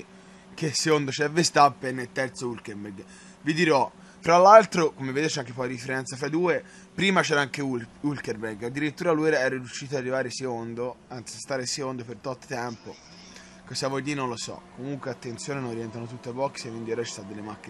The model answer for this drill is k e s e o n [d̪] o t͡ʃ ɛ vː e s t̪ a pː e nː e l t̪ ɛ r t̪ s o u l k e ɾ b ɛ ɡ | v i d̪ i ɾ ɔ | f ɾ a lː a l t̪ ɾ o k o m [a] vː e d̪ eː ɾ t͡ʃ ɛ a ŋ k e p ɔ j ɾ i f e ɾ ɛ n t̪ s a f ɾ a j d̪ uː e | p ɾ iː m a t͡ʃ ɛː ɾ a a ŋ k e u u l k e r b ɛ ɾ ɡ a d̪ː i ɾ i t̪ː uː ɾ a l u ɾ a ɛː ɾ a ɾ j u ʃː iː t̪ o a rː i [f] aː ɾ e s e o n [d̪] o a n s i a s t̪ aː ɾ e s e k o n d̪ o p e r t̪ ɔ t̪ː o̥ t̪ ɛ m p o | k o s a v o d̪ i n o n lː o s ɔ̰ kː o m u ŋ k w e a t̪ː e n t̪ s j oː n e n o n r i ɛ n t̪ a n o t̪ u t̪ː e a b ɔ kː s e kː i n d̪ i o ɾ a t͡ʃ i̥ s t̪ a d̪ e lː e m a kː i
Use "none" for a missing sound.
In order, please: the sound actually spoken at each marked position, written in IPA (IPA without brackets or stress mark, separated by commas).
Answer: d̪, e, v, d̪